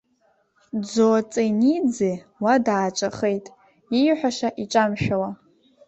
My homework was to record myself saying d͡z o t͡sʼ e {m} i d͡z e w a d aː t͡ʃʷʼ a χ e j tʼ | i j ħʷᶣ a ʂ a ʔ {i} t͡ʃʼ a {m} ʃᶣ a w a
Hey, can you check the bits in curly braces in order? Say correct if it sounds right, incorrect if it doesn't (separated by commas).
incorrect, correct, correct